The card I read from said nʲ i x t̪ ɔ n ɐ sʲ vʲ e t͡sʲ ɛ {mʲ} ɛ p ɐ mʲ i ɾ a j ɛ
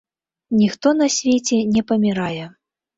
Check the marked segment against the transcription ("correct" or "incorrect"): incorrect